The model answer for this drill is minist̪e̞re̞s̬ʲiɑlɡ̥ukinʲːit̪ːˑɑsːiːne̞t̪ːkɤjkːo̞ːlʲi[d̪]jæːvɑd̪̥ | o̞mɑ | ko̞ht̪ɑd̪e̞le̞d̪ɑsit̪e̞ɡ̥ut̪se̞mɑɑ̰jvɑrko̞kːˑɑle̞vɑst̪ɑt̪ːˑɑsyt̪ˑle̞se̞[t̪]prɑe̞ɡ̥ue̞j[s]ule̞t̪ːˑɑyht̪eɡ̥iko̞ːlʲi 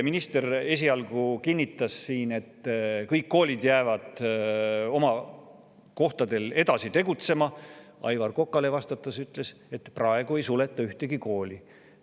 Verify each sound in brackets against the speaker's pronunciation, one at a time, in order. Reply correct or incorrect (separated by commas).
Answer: correct, correct, correct